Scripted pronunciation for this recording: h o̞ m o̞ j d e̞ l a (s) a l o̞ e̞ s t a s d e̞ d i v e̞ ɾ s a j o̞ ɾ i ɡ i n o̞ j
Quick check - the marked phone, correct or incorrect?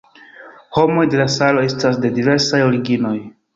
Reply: correct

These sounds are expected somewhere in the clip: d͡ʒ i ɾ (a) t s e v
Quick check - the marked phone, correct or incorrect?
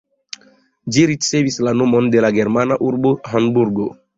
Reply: incorrect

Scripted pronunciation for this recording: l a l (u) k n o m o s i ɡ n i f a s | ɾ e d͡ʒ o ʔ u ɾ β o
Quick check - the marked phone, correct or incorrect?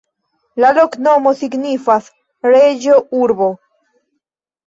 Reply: incorrect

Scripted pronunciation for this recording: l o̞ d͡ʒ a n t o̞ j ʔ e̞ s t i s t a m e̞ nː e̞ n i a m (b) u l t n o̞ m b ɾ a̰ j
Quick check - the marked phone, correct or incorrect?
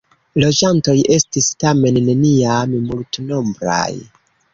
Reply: incorrect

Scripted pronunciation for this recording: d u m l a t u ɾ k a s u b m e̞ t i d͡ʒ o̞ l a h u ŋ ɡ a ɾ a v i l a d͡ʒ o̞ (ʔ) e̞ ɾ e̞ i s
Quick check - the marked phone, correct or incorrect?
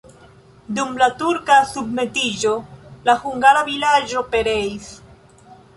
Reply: incorrect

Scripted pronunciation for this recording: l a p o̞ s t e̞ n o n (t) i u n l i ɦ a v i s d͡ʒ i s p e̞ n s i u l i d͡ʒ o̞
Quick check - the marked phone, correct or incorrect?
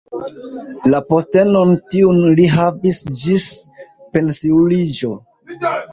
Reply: correct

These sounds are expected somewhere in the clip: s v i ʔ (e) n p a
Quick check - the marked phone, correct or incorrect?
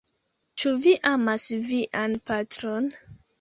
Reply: incorrect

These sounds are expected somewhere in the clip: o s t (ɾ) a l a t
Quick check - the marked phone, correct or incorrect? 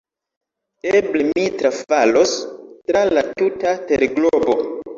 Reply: correct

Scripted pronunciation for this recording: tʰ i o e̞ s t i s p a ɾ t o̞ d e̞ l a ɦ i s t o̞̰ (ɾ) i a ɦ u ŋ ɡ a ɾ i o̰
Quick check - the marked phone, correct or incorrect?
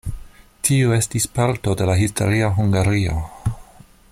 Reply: correct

